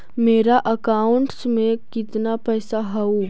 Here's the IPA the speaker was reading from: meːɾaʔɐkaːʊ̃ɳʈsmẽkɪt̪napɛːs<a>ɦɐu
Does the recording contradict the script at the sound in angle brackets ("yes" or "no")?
no